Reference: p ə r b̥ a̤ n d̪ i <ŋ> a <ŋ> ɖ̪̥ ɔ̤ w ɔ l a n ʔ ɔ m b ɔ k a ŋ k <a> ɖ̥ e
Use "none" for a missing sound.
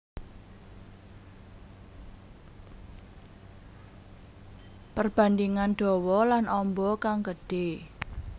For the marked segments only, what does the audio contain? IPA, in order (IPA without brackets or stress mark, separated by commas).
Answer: ŋ, n, ə